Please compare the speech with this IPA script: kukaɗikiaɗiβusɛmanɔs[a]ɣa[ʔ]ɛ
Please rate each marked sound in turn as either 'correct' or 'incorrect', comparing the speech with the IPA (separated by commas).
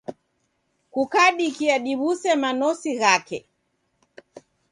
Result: incorrect, incorrect